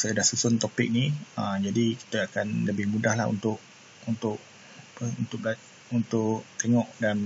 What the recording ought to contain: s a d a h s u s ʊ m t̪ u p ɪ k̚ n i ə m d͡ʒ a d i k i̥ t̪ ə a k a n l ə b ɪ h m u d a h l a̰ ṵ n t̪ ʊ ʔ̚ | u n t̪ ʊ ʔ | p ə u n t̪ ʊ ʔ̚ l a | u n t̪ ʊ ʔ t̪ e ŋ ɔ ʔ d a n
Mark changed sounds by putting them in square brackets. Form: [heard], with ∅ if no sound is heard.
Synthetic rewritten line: s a d a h s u s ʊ [n] t̪ [o] p ɪ k̚ n i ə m d͡ʒ a d i k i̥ t̪ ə a k a n l ə b ɪ h m u d a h l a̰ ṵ n t̪ ʊ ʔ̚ | u n t̪ ʊ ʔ | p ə u n t̪ ʊ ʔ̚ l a | u n t̪ ʊ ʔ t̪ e ŋ ɔ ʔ d a n